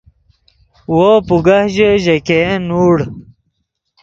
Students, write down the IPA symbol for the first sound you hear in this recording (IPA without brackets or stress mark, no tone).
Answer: w